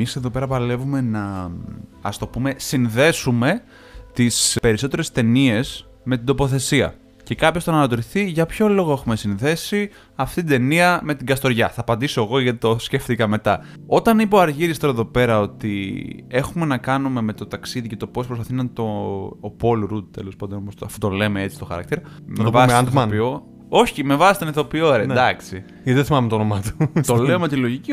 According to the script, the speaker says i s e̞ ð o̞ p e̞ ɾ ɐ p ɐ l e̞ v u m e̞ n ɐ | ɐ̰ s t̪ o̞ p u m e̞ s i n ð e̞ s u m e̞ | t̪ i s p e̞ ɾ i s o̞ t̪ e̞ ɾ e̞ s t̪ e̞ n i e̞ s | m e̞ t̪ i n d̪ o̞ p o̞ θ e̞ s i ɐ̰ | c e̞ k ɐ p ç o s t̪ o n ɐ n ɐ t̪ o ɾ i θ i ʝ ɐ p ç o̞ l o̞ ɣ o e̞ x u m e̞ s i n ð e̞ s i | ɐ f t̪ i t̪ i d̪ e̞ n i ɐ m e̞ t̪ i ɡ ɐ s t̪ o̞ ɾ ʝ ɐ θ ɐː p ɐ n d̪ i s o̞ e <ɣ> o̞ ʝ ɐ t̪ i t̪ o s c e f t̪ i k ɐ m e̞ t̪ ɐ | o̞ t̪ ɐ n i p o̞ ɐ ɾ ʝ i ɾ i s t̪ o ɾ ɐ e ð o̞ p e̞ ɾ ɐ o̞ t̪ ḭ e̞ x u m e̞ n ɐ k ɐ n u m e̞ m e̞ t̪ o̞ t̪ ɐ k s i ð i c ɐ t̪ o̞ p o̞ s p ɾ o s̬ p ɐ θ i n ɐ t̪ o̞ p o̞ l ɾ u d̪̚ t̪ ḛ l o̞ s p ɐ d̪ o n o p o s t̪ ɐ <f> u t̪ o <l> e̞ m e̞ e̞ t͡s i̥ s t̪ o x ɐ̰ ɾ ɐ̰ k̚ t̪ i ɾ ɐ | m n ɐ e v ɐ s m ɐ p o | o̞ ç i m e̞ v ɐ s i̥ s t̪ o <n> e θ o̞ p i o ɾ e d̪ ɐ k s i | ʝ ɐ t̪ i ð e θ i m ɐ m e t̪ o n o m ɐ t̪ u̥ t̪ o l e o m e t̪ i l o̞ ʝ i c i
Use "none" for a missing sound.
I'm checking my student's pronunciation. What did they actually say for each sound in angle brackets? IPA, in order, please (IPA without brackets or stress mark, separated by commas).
ɣ, f, l, n